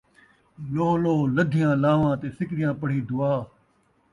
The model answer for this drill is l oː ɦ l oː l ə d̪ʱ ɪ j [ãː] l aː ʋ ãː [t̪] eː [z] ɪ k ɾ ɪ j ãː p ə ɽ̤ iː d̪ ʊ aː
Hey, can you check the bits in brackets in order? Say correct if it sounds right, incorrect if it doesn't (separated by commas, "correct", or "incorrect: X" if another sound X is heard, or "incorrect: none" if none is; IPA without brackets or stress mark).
correct, correct, incorrect: s